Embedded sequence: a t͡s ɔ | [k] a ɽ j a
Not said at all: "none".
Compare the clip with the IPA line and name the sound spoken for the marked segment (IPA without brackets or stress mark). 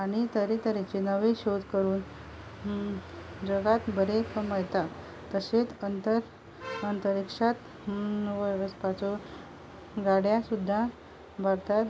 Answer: ɡ